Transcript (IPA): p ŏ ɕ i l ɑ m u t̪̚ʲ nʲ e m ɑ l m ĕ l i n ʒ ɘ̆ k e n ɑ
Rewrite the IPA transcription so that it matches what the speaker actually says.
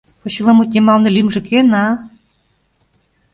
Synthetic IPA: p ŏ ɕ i l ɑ m u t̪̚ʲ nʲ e m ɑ l n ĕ l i m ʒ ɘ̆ k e n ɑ